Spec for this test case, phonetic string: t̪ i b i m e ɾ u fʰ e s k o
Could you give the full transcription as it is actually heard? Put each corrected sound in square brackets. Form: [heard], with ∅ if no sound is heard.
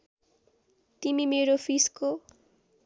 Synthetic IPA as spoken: t̪ i [m] i m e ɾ [o] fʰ [i] s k o